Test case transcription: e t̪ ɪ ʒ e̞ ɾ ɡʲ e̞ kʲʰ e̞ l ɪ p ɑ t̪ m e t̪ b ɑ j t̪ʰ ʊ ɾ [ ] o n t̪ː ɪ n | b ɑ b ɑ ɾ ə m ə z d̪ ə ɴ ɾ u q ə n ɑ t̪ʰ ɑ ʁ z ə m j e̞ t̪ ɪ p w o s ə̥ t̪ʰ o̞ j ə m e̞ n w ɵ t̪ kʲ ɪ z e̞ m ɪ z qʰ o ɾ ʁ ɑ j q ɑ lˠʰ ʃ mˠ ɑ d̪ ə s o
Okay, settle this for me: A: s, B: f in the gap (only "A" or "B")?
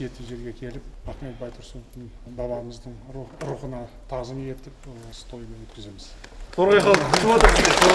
A